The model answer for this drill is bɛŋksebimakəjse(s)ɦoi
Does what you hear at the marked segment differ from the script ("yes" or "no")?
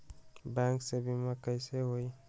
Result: yes